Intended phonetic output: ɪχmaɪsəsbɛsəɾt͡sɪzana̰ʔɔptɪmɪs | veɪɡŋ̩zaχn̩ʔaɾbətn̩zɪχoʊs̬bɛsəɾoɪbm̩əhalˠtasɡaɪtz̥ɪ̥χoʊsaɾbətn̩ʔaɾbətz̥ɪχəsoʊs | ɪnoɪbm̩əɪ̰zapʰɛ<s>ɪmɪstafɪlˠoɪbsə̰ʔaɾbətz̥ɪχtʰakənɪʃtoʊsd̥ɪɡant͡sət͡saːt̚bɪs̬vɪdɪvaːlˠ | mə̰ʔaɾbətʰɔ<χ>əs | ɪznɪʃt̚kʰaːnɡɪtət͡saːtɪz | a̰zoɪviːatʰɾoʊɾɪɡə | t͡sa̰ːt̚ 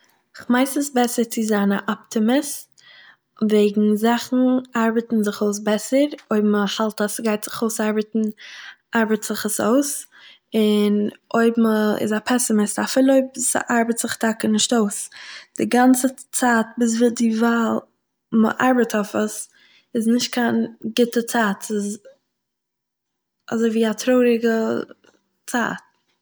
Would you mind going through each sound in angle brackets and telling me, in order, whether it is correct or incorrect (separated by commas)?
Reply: correct, incorrect